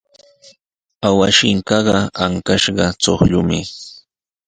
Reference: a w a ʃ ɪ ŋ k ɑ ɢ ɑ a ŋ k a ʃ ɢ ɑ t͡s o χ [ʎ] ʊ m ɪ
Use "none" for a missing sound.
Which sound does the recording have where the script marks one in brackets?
ʎ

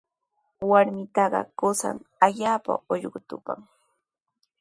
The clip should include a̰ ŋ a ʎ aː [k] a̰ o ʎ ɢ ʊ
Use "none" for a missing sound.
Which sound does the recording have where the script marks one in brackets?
p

